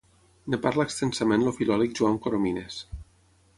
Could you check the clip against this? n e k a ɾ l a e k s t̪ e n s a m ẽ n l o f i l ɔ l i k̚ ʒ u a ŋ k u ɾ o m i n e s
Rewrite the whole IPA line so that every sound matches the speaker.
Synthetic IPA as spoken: n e p a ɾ l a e k s t̪ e n s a m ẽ n l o f i l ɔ l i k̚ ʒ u a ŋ k o ɾ o m i n e s